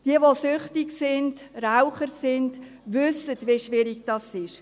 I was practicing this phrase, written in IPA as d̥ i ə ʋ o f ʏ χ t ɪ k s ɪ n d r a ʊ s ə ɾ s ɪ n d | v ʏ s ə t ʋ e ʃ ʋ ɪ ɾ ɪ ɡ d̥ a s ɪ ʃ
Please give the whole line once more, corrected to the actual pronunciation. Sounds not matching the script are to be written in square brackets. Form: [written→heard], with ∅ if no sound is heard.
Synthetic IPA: d̥ i ə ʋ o [f→s] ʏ χ t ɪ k s ɪ n d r a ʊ [s→χ] ə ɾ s ɪ n d | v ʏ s ə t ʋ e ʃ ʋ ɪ ɾ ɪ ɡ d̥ [a→ɑ] s ɪ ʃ